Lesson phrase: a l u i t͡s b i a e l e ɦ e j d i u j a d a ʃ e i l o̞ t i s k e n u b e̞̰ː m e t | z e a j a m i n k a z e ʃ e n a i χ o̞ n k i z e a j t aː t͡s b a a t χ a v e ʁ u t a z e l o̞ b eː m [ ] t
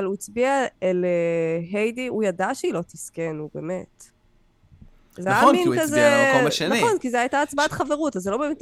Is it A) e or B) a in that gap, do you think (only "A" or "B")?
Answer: A